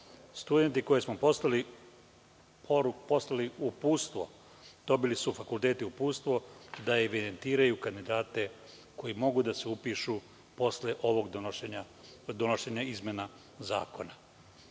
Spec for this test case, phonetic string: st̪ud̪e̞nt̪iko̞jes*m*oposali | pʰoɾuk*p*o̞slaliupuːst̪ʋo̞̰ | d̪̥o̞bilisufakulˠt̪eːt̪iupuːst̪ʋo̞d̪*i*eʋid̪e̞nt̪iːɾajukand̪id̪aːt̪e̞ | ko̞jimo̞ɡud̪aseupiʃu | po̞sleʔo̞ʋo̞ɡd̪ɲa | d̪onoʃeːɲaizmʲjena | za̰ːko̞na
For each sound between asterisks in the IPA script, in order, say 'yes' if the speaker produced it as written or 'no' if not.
yes, yes, no

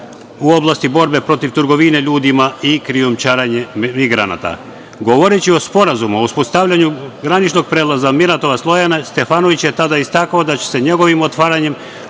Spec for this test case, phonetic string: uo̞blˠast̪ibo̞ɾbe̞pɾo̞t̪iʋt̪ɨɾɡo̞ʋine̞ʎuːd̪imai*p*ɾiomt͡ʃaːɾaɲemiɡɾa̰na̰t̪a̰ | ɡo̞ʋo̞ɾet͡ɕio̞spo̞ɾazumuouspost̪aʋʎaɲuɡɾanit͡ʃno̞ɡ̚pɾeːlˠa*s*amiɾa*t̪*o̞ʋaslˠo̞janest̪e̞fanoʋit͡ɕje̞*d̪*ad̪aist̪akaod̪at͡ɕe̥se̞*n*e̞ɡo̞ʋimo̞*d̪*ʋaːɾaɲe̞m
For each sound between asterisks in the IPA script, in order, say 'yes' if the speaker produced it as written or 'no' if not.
no, no, yes, no, no, no

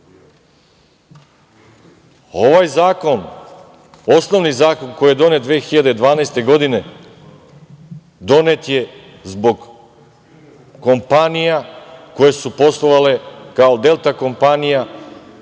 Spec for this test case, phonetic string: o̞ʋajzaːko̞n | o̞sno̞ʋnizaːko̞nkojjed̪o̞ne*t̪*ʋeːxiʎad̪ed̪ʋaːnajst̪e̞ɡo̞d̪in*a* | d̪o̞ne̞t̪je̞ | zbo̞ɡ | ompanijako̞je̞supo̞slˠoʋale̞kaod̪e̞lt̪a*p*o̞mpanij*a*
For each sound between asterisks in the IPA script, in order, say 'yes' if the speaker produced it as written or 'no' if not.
no, no, no, yes

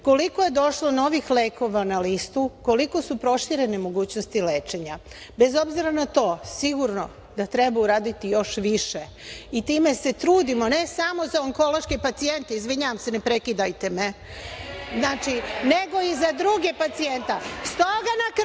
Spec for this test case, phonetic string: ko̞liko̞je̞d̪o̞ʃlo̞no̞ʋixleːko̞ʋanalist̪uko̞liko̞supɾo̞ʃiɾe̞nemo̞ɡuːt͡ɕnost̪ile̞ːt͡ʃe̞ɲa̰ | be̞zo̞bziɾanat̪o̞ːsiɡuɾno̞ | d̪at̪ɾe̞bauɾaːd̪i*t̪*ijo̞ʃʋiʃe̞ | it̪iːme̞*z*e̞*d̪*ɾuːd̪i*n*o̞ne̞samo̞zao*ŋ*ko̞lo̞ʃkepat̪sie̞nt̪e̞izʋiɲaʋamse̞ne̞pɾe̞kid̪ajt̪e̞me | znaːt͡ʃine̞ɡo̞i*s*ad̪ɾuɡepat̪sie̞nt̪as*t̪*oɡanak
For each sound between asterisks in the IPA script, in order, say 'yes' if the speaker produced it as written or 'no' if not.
yes, no, no, no, yes, no, yes

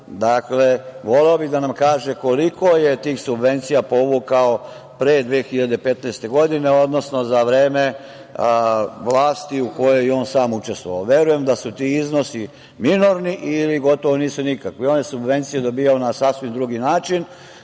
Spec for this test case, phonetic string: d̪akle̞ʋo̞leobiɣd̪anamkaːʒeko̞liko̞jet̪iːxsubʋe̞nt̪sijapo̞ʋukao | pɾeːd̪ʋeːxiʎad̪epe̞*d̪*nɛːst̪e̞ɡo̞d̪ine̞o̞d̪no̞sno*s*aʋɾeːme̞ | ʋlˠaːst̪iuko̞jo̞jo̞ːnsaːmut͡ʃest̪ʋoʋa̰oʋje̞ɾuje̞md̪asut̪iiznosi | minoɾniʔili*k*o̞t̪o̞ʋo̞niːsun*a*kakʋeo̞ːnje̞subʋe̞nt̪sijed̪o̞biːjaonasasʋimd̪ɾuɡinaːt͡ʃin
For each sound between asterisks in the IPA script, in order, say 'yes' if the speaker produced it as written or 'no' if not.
no, no, no, no

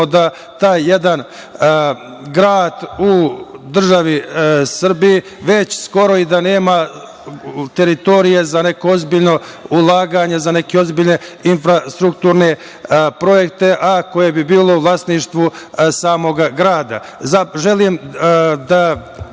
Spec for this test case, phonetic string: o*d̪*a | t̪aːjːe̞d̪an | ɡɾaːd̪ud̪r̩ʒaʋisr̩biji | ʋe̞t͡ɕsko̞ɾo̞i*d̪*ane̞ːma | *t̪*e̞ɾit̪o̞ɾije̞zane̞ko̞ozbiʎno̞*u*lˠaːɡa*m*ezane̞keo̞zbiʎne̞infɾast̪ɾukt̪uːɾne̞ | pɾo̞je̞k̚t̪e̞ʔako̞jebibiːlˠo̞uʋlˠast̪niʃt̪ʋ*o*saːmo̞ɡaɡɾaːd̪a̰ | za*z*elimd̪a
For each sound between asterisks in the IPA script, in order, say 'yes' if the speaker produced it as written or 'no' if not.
yes, yes, yes, yes, no, no, no

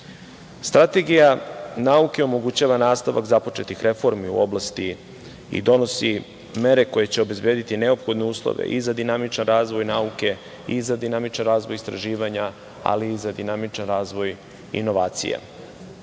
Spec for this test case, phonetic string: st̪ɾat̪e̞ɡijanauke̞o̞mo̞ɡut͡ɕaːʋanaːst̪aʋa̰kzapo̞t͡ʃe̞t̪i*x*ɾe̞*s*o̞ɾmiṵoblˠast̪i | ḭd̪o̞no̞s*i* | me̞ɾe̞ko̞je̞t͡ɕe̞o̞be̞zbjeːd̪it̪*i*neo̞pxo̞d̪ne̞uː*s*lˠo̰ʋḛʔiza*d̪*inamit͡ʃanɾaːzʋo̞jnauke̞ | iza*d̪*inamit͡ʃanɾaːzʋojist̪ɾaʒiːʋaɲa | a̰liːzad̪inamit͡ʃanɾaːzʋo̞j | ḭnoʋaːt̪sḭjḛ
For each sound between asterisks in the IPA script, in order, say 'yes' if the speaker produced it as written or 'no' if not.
yes, no, yes, yes, yes, yes, yes

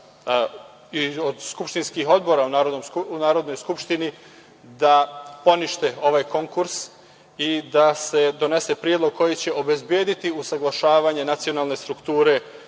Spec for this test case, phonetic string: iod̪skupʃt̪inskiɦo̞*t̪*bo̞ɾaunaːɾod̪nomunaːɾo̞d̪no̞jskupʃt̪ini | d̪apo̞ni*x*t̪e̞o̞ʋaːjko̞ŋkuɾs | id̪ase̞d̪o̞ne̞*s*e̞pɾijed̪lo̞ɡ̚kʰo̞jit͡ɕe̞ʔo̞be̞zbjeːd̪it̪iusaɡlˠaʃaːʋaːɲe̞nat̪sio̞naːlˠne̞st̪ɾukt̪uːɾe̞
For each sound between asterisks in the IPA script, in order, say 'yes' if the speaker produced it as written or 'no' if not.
no, no, yes

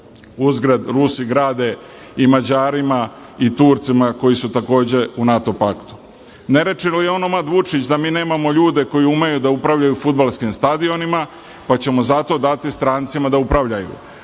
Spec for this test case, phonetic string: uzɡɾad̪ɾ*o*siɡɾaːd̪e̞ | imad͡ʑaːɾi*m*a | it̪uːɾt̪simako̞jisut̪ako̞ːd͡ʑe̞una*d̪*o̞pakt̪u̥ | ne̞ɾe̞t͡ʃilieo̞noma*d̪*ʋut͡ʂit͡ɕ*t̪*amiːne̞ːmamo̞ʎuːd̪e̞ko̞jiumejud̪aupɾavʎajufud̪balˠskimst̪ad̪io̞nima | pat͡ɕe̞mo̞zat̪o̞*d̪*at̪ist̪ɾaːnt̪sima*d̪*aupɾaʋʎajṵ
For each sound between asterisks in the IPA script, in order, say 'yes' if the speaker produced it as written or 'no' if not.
no, yes, no, yes, no, yes, yes

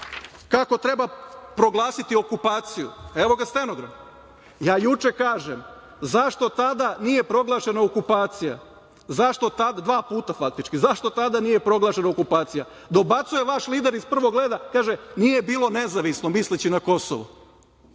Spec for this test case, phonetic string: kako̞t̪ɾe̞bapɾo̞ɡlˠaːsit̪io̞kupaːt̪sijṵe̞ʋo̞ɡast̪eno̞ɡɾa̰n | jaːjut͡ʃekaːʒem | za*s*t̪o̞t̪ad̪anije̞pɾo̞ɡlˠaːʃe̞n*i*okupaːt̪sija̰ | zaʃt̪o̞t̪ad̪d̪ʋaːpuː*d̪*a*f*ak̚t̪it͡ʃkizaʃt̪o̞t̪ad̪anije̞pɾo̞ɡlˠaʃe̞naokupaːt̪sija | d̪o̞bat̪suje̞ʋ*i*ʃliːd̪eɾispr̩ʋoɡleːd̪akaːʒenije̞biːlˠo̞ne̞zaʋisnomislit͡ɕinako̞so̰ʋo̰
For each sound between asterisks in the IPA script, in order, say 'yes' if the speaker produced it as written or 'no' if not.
no, no, no, yes, no

